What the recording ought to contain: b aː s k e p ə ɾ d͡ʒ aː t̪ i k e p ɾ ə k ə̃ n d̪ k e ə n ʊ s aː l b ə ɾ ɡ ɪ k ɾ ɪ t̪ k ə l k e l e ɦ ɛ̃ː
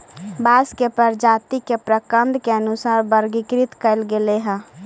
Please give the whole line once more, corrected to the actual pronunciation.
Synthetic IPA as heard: b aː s k e p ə ɾ d͡ʒ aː t̪ i k e p ɾ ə k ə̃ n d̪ k e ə n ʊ s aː ɾ b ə ɾ ɡ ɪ k ɾ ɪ t̪ k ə l ɡ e l e ɦ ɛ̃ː